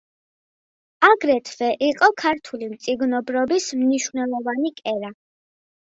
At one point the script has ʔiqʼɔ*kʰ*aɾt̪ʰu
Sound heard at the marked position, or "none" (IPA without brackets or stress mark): kʰ